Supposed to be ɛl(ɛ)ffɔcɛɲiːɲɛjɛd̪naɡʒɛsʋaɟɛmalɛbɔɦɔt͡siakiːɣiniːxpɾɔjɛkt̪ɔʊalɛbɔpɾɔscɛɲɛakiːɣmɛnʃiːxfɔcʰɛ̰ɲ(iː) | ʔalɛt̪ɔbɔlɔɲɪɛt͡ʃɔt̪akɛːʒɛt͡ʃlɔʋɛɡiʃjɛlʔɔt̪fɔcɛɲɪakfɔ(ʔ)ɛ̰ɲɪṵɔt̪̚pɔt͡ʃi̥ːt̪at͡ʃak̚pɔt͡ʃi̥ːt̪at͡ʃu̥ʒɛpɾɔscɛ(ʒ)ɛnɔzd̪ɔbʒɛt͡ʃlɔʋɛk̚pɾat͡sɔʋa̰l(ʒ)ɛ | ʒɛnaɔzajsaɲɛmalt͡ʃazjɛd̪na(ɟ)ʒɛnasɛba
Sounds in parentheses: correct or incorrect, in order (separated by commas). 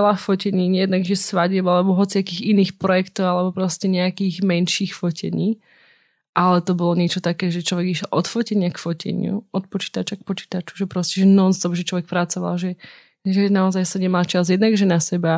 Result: incorrect, correct, incorrect, correct, correct, incorrect